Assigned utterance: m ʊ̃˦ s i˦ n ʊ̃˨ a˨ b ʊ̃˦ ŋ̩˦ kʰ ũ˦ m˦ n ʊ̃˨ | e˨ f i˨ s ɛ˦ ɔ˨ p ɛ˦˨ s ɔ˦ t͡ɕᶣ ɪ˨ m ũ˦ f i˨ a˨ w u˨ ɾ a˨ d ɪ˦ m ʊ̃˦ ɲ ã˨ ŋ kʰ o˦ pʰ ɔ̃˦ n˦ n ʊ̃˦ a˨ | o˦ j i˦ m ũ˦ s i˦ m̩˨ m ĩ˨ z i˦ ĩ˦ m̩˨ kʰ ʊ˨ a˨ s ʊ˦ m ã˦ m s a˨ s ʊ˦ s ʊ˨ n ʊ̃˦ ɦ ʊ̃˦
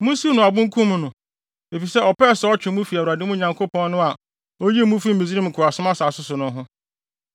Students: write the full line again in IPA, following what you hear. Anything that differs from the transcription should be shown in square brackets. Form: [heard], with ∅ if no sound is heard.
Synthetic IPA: m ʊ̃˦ s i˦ n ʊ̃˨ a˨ b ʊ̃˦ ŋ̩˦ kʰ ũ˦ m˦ n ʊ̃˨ | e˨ f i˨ s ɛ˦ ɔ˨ p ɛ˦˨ s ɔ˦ t͡ɕᶣ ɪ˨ m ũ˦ f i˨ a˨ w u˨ ɾ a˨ d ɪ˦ m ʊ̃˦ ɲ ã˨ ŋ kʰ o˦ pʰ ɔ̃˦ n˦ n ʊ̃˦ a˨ | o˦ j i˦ m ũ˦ [f] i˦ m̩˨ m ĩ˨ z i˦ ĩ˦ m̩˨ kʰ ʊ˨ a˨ s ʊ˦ m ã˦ [∅] s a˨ s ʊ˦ s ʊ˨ n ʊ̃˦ ɦ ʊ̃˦